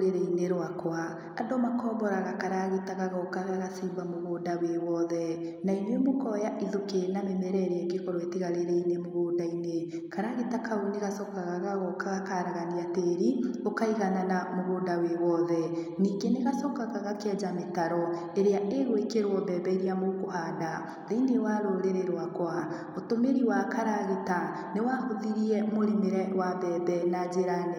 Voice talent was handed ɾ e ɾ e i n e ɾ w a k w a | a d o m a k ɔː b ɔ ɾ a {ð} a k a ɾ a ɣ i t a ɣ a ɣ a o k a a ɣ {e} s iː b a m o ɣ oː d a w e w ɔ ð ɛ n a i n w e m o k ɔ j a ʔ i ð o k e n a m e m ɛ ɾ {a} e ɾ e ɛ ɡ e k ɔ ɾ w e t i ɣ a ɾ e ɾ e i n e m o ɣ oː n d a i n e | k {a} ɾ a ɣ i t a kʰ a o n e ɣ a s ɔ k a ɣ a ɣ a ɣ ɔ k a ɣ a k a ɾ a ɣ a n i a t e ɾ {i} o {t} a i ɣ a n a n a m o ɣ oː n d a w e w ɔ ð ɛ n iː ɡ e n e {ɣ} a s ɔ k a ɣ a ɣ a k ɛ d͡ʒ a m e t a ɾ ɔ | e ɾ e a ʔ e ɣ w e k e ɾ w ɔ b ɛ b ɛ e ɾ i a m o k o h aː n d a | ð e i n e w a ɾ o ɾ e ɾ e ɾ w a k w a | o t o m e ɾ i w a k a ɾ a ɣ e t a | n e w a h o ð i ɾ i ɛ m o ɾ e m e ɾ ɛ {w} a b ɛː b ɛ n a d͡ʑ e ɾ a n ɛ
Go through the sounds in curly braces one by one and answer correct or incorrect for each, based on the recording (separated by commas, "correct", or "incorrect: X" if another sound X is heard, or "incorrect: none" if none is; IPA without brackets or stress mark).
incorrect: ɣ, incorrect: a, incorrect: ɛ, correct, correct, incorrect: k, correct, correct